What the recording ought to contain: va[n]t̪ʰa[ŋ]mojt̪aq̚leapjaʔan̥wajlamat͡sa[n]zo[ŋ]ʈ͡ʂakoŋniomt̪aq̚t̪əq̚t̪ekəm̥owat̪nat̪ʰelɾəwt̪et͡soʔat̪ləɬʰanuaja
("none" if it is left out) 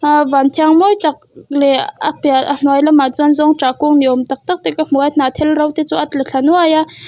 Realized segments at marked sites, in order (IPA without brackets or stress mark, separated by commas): n, ŋ, n, ŋ